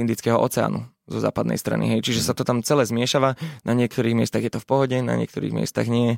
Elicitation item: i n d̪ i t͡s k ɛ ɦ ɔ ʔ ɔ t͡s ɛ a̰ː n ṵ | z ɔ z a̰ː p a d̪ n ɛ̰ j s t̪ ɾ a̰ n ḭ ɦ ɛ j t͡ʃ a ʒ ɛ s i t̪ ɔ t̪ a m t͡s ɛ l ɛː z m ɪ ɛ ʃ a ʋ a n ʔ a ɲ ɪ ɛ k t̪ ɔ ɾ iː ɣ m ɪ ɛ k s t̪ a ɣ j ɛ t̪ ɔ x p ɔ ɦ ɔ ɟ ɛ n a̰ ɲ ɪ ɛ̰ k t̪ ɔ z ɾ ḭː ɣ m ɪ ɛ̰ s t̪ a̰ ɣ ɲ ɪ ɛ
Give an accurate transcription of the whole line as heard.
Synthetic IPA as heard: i n d̪ i t͡s k ɛ ɦ ɔ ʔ ɔ t͡s ɛ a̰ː n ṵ | z ɔ z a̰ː p a d̪ n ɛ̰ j s t̪ ɾ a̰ n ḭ ɦ ɛ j t͡ʃ i ʒ ɛ s a t̪ ɔ t̪ a m t͡s ɛ l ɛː z m ɪ ɛ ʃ a ʋ a n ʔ a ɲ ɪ ɛ k t̪ ɔ ɾ iː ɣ m ɪ ɛ s t̪ a ɣ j ɛ t̪ ɔ f p ɔ ɦ ɔ ɟ ɛ n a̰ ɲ ɪ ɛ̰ k t̪ ɔ ɾ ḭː ɣ m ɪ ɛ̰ s t̪ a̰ ɣ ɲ ɪ ɛ